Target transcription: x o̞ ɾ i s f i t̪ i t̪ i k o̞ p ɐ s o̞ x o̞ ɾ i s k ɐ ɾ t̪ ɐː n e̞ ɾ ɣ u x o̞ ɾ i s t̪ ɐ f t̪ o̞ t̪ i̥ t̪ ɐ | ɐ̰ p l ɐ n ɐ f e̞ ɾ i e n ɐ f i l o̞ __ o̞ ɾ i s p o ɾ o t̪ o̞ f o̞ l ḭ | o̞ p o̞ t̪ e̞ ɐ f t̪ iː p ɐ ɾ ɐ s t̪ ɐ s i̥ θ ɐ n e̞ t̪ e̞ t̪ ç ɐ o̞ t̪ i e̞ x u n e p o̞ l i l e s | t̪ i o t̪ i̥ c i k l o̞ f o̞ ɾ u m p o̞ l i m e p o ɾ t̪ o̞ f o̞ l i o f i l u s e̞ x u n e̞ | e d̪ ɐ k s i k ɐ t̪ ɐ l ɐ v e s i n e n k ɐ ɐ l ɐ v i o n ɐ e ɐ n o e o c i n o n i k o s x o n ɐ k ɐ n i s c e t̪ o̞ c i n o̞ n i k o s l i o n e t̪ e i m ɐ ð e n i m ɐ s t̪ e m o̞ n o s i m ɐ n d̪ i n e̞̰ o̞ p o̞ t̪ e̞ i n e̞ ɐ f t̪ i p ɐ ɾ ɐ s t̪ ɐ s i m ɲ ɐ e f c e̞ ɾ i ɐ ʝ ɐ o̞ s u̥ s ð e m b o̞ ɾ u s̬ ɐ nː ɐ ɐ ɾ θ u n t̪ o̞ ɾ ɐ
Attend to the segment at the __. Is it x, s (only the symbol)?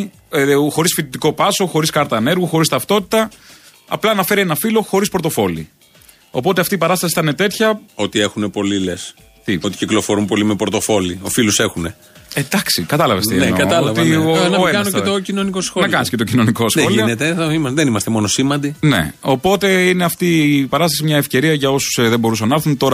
x